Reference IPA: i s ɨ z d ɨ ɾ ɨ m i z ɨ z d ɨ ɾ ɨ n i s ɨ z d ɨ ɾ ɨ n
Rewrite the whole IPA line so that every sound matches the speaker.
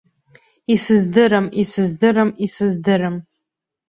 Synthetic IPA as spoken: i s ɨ z d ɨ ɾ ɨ m i s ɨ z d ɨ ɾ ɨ m i s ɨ z d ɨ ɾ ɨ m